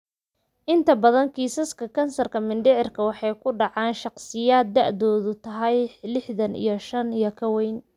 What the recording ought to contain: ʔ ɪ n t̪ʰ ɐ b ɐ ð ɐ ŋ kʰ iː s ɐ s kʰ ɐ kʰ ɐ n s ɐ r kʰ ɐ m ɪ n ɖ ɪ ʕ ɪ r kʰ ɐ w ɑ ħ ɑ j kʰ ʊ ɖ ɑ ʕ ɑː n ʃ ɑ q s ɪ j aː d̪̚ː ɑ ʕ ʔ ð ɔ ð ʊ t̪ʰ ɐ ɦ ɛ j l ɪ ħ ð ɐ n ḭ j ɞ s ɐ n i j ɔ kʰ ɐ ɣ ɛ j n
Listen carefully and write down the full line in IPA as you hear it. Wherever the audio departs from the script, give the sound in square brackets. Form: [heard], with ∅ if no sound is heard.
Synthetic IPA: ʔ ɪ n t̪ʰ ɐ b ɐ ð ɐ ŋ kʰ iː s ɐ s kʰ ɐ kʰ ɐ n s ɐ r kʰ ɐ m ɪ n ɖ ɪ ʕ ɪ r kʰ ɐ w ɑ ħ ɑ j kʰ ʊ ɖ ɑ ʕ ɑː n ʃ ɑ q s ɪ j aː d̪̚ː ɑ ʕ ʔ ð [ɔː] ð ʊ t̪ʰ ɐ ɦ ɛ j l ɪ ħ ð ɐ n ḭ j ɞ [ʃ] ɐ n i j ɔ kʰ ɐ [w] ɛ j n